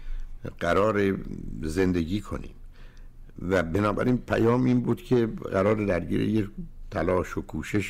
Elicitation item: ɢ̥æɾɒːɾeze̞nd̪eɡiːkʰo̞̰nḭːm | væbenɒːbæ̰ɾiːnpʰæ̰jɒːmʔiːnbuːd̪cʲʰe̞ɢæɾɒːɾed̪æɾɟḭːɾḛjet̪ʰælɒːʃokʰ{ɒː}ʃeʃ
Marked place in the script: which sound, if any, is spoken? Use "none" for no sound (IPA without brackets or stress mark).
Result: uː